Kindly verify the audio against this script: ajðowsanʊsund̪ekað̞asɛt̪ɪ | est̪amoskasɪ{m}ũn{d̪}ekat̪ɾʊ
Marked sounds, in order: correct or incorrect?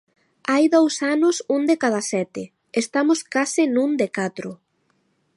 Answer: incorrect, correct

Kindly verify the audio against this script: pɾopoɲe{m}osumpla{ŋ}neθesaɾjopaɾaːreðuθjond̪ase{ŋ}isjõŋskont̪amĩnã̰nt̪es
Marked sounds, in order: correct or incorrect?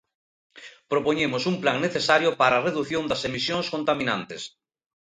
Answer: correct, correct, incorrect

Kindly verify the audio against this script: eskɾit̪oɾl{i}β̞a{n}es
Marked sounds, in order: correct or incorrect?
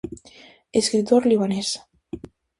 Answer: correct, correct

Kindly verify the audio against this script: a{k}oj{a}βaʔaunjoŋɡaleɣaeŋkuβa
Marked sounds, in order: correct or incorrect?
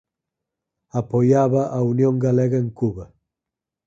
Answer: incorrect, correct

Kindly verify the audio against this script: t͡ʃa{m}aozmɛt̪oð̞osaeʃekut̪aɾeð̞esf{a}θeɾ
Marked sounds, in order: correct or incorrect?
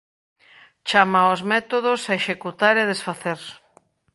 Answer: correct, correct

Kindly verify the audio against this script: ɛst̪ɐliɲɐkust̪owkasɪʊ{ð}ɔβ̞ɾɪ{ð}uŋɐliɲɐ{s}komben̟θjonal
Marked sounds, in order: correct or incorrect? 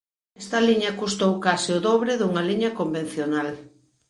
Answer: correct, correct, incorrect

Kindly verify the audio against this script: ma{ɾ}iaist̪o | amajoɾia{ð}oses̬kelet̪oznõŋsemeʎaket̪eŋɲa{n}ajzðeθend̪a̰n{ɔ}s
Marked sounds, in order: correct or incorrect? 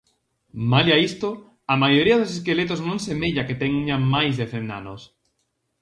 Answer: incorrect, correct, incorrect, incorrect

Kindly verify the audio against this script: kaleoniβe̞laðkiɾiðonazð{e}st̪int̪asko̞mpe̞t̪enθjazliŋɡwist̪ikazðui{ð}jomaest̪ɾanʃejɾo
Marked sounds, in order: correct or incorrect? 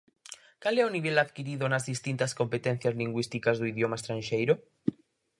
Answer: incorrect, correct

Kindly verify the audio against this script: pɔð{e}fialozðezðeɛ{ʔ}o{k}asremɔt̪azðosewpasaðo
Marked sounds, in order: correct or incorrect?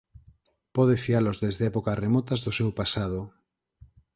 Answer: correct, incorrect, correct

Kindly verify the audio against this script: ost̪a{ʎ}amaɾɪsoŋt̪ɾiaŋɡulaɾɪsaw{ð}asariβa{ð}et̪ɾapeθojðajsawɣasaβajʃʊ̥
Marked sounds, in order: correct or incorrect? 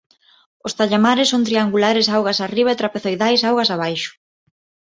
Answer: correct, incorrect, incorrect

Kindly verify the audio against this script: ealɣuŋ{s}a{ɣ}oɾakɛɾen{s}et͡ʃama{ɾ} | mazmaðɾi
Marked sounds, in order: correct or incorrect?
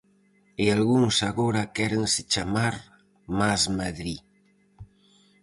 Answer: correct, correct, correct, correct

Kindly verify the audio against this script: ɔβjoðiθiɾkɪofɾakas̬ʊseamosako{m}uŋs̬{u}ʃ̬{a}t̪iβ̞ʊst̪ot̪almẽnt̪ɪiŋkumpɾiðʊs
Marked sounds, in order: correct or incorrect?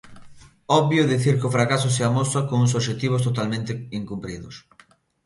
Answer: incorrect, incorrect, incorrect

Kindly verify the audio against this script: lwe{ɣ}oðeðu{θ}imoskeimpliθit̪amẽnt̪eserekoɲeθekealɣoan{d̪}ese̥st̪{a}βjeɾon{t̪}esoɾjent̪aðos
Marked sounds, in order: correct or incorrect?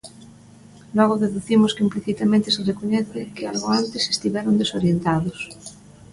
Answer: correct, correct, incorrect, incorrect, incorrect

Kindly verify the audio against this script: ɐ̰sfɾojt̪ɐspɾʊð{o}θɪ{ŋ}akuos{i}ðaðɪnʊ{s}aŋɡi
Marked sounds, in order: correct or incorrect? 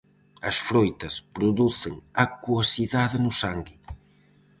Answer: incorrect, correct, correct, correct

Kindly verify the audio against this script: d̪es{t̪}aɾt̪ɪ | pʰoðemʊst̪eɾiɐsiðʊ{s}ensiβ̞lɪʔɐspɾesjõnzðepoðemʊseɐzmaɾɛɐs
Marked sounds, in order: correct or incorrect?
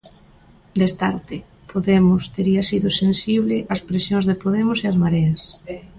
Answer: correct, correct

